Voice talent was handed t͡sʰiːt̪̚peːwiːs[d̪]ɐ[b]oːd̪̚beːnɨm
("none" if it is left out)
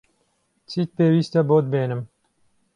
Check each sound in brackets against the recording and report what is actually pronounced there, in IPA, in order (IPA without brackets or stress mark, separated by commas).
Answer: t̪, b